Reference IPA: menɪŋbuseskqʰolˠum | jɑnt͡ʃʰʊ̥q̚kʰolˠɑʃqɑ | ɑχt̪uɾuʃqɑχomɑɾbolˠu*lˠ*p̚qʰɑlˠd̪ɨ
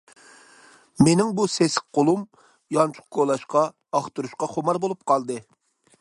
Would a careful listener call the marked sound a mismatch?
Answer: yes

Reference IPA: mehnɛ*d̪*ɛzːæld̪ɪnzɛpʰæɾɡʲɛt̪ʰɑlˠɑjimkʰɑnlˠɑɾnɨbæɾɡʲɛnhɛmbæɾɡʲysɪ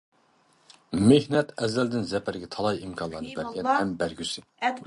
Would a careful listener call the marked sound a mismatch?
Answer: yes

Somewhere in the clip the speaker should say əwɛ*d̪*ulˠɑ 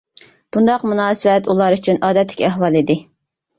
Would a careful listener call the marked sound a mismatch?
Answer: yes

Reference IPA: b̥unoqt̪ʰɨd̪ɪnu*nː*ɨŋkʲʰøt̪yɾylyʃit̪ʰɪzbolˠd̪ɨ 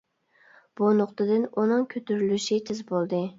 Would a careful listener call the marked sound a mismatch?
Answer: yes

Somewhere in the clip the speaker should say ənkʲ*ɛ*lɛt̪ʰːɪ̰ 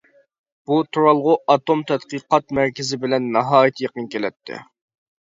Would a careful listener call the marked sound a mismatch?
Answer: yes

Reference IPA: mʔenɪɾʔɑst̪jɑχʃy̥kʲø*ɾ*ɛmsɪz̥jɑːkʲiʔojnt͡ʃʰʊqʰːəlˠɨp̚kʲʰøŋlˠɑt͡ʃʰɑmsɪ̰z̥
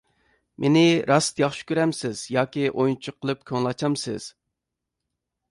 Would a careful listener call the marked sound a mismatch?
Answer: no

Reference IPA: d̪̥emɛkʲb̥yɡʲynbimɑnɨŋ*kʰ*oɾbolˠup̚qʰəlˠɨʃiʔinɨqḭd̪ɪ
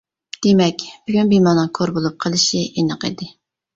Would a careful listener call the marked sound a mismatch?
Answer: no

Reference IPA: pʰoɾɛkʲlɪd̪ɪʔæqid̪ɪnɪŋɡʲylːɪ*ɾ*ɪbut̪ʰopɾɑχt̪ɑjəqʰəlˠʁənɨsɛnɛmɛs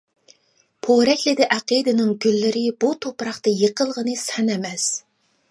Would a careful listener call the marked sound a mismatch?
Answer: no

